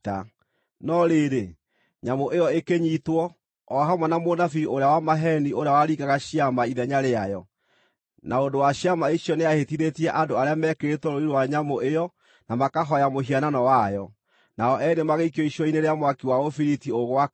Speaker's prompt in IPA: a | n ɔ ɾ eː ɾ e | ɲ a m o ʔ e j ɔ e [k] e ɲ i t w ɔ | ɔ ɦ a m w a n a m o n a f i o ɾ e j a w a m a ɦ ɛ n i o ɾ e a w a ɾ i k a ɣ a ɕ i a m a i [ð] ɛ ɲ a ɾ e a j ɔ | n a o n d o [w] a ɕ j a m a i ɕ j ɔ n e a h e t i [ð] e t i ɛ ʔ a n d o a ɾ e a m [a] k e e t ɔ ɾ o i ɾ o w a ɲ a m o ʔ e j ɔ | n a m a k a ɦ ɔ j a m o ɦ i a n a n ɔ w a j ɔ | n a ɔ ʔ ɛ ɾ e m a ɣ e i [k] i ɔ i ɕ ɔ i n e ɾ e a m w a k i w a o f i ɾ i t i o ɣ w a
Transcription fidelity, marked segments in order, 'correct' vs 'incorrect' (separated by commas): correct, correct, correct, correct, incorrect, correct